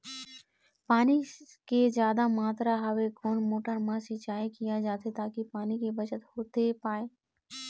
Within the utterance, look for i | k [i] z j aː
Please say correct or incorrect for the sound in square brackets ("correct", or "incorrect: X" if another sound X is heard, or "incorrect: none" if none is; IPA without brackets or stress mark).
incorrect: e